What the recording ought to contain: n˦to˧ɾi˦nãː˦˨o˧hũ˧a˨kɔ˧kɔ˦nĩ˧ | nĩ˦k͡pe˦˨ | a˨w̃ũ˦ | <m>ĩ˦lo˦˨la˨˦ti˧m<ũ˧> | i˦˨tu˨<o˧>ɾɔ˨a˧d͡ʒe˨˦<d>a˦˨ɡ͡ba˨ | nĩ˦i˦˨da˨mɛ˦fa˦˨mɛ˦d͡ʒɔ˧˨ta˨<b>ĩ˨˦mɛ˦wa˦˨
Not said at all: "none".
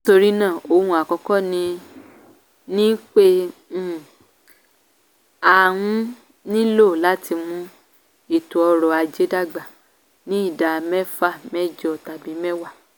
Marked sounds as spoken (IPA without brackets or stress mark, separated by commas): n, ũ˧, ɔ˧, d, b